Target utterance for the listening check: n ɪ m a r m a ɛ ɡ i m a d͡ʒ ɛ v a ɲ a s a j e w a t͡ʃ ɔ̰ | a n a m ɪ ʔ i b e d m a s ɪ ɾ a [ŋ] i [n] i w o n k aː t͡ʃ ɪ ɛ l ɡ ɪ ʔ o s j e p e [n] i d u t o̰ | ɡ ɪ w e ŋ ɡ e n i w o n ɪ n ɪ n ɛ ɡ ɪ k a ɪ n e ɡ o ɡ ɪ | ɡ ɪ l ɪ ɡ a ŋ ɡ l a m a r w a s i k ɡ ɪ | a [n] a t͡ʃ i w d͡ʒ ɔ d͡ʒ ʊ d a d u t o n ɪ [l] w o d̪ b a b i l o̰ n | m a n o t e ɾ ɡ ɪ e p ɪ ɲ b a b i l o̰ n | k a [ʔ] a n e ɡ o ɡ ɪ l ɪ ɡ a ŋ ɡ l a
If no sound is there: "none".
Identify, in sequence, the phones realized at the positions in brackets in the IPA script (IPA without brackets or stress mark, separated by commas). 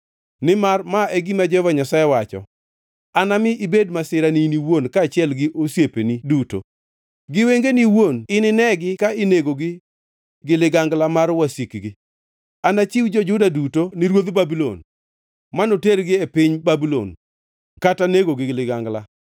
n, n, n, n, ɾ, t